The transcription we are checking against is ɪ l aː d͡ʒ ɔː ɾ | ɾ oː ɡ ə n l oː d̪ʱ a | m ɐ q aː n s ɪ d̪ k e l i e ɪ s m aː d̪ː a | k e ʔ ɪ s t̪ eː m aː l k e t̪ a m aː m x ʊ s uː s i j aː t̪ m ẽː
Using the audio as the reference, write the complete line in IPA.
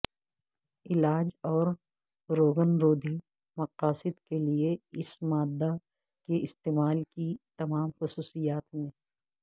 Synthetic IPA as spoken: ɪ l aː d͡ʒ ɔː ɾ | ɾ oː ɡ ə n ɾ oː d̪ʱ i | m ɐ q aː s ɪ d̪ k e l i e ɪ s m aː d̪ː a | k e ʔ ɪ s t̪ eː m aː l k i t̪ ɐ m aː m x ʊ s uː s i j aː t̪ m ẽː